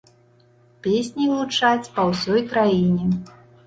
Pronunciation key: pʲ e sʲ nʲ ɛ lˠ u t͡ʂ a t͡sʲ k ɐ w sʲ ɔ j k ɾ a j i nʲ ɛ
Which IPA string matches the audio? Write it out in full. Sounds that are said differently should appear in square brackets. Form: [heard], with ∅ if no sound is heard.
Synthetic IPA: pʲ e sʲ nʲ [i] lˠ u t͡ʂ a t͡sʲ [p] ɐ w sʲ ɔ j k ɾ a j i nʲ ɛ